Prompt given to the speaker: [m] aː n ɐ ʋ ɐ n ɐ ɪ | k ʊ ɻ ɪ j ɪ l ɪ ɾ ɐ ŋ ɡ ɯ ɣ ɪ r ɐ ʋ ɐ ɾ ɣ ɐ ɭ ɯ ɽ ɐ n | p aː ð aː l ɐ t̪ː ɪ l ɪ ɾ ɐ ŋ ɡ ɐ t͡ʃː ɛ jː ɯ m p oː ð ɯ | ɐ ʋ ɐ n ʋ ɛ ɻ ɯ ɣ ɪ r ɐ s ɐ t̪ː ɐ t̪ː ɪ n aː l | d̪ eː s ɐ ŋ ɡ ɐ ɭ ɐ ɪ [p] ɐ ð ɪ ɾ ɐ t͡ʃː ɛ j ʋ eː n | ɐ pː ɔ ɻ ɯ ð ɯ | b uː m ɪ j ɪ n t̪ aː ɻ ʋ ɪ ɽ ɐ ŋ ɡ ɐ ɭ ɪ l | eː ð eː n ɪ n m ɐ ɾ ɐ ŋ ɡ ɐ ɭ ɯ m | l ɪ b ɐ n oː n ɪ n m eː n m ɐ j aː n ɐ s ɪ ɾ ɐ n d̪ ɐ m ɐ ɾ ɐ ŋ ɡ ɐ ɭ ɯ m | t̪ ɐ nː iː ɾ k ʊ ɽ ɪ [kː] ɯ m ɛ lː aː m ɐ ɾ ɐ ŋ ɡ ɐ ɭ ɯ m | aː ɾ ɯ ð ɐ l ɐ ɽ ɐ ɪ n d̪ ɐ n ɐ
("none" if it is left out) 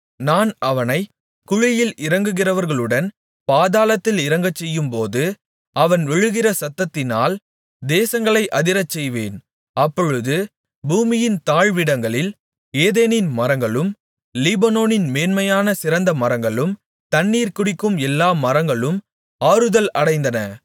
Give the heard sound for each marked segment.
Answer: n, ʔ, kː

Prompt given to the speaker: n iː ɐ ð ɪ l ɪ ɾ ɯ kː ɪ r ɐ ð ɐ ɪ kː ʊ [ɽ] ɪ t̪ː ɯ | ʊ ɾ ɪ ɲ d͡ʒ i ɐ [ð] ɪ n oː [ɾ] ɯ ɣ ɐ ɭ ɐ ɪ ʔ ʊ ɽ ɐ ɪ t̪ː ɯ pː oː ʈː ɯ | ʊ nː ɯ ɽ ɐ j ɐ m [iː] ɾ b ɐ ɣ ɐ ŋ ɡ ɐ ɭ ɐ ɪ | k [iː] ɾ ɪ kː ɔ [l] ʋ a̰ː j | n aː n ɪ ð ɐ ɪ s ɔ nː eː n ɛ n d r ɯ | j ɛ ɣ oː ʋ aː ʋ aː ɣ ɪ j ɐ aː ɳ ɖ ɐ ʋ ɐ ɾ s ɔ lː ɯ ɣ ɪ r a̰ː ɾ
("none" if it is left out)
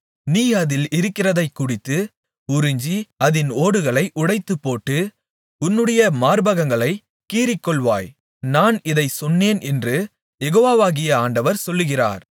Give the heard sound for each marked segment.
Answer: ɽ, ð, ɽ, aː, iː, ɭ

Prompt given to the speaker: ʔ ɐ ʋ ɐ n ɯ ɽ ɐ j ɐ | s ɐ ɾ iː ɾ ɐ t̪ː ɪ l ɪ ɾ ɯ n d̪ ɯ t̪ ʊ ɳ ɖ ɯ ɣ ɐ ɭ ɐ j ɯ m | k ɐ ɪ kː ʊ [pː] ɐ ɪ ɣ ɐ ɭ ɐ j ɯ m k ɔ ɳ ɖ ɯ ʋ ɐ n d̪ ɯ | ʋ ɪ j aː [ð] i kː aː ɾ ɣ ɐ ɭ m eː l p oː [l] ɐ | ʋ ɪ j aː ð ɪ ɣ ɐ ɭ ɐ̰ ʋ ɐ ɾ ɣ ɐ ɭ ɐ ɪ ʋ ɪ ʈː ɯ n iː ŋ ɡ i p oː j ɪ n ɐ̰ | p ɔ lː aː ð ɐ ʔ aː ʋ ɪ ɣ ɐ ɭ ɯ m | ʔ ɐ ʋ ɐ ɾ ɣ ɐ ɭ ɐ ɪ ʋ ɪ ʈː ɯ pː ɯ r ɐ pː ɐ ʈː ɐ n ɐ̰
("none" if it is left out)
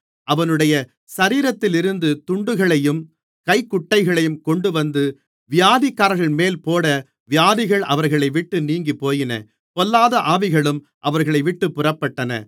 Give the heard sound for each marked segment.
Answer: ʈː, ð, ɽ

